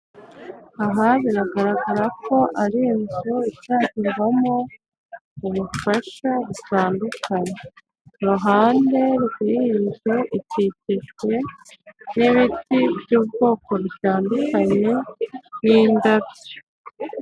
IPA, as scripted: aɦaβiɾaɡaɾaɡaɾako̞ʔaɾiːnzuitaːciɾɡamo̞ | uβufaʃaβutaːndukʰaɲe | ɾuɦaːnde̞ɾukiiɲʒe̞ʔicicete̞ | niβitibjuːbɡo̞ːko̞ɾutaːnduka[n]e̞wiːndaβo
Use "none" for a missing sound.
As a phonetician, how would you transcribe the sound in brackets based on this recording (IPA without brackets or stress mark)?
ɲ